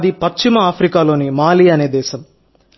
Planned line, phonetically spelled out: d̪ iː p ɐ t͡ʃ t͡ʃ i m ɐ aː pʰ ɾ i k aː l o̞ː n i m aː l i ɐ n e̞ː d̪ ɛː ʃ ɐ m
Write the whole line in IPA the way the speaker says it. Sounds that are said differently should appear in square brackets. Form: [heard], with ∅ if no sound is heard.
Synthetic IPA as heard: d̪ [i] p ɐ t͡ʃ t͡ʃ i m ɐ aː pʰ ɾ i k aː l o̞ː n i m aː l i ɐ n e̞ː d̪ ɛː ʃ ɐ m